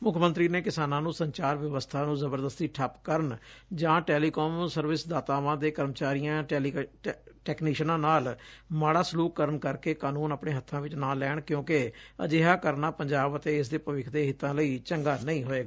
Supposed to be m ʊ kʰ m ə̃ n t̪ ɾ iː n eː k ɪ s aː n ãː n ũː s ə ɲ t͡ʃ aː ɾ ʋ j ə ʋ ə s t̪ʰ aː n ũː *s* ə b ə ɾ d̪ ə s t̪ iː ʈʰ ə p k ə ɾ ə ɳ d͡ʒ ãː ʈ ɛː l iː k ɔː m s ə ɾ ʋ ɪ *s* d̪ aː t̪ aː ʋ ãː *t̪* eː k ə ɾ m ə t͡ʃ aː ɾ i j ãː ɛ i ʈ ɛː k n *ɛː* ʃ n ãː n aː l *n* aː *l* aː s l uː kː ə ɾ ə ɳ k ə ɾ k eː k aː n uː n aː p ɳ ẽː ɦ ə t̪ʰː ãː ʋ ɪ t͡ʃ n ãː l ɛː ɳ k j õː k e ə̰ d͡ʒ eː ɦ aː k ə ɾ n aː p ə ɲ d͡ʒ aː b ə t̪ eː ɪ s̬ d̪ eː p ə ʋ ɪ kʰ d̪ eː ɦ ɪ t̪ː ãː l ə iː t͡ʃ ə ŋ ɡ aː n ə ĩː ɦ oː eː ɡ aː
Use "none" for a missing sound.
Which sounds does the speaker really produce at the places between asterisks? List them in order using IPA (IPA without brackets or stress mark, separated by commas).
z, s, d̪, iː, m, ɽ